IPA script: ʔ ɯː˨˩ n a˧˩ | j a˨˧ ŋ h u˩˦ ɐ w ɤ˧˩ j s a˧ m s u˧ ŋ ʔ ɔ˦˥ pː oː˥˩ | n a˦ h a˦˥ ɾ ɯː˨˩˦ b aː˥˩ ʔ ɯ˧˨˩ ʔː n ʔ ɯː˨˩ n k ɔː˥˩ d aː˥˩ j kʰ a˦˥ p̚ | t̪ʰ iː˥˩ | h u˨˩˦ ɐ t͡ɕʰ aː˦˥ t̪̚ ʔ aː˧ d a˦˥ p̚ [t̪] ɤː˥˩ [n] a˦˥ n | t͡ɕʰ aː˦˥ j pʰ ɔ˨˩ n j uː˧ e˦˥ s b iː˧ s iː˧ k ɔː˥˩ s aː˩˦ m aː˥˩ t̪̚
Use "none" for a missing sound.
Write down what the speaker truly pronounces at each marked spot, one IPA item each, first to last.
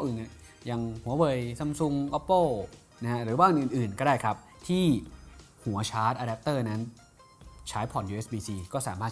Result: t̪, n

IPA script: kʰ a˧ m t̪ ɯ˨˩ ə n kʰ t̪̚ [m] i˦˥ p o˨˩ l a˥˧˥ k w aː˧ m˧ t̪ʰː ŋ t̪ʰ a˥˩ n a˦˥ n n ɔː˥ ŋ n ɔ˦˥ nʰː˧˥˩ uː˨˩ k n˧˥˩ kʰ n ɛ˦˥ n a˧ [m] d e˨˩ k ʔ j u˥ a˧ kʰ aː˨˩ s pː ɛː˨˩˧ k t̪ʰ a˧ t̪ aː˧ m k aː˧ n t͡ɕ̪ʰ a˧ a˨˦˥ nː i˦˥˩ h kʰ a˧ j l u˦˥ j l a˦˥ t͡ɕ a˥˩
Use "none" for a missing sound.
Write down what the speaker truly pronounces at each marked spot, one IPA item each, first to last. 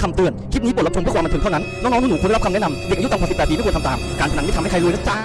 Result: n, m

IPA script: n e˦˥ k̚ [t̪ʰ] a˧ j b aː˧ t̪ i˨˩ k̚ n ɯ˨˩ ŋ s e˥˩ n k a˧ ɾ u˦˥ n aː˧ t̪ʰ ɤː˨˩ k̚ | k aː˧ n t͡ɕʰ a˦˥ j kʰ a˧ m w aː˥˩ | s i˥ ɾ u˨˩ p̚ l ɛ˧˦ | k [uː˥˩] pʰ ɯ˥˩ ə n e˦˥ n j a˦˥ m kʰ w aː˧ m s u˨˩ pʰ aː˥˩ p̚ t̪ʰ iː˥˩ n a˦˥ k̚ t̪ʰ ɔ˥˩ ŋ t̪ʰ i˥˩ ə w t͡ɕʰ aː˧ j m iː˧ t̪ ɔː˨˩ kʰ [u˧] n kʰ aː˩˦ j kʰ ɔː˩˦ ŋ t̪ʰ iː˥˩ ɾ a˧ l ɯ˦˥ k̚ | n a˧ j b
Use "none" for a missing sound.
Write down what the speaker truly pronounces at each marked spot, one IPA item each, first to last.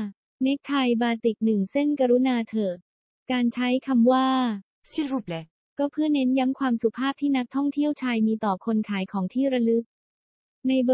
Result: t̪ʰ, ɔː˥˩, o˧

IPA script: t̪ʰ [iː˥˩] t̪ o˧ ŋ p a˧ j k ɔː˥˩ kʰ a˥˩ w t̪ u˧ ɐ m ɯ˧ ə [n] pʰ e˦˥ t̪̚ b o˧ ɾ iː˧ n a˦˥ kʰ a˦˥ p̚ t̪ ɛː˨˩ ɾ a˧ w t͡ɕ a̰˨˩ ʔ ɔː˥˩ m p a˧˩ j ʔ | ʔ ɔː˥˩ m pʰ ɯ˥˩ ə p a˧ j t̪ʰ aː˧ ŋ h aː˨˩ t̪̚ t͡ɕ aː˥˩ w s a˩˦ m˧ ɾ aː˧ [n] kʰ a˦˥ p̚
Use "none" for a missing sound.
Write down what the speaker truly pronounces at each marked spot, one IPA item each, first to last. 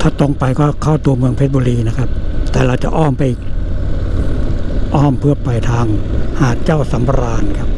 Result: aː˥˩, ŋ, n

